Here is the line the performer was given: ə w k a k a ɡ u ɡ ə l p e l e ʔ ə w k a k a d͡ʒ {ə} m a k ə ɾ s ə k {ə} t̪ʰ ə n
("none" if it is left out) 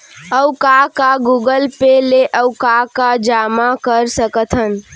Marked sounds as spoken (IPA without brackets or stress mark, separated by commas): a, ə